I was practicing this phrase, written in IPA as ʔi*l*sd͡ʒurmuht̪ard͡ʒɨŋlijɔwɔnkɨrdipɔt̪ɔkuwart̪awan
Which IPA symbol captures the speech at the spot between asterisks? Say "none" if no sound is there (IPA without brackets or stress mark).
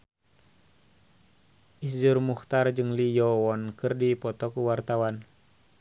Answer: none